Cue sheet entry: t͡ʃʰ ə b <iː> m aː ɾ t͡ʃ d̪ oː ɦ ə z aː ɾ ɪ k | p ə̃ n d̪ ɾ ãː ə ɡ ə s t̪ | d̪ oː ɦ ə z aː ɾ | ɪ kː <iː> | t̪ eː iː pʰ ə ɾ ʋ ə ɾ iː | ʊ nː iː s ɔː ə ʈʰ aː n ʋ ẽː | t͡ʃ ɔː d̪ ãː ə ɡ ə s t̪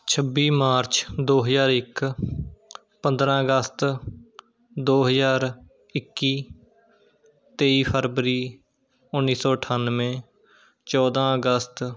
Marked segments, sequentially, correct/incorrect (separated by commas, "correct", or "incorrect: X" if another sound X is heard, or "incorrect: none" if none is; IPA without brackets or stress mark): correct, correct